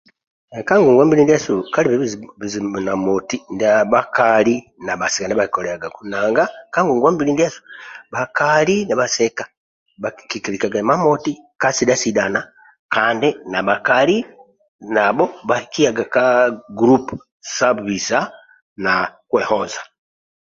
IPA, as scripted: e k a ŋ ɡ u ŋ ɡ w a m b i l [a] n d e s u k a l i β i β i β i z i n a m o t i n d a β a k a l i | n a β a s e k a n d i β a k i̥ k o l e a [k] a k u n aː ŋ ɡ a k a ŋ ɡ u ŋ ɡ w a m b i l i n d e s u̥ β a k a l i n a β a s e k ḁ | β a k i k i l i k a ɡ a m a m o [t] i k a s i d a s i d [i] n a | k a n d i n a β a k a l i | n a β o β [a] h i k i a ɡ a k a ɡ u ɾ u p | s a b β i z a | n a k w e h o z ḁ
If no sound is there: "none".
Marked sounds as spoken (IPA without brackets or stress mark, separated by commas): i, ɡ, t, a, a